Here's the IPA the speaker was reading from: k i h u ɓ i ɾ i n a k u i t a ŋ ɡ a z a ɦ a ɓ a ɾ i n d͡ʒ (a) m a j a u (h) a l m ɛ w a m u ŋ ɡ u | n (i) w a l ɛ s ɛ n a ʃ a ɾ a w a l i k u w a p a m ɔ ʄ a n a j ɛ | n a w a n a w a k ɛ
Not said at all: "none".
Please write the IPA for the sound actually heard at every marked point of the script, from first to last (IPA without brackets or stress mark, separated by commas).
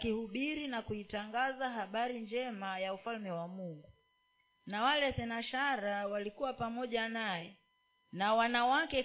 ɛ, f, a